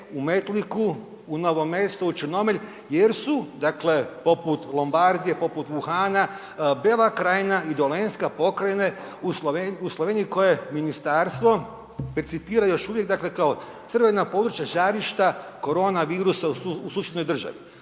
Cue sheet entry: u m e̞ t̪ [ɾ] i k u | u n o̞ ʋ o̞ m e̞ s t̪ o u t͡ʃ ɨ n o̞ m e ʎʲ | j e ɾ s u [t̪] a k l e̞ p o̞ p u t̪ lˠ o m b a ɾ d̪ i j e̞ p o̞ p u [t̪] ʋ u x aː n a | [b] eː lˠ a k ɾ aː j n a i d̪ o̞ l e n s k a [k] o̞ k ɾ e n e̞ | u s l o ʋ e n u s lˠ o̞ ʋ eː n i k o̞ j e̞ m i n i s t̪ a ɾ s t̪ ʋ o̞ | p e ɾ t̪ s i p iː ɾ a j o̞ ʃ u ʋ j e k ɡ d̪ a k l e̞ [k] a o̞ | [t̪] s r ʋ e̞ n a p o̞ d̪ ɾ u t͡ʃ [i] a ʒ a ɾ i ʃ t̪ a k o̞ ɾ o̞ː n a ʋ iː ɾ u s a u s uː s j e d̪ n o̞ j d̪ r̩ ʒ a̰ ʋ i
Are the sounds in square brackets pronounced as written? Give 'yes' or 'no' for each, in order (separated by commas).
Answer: no, no, yes, yes, no, yes, yes, no